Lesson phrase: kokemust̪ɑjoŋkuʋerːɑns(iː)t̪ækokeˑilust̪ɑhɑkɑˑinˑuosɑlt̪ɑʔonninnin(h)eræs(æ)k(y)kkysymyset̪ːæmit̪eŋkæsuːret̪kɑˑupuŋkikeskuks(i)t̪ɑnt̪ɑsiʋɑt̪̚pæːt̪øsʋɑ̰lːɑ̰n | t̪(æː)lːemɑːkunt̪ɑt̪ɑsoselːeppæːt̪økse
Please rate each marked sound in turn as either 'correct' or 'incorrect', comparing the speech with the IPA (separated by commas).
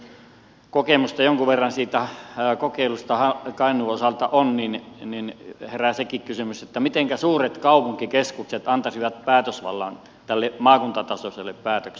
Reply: correct, correct, incorrect, incorrect, incorrect, incorrect